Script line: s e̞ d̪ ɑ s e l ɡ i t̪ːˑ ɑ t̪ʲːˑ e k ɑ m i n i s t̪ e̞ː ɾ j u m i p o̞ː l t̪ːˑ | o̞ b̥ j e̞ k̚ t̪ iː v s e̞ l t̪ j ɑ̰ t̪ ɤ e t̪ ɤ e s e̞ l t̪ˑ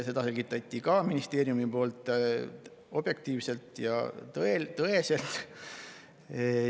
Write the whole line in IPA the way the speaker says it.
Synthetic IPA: s e̞ d̪ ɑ s e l ɡ i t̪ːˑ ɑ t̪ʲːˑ i k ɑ m i n i s t̪ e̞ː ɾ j u m i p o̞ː l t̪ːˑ | o̞ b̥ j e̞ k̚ t̪ iː v s e̞ l t̪ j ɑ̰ t̪ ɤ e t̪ ɤ e s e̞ l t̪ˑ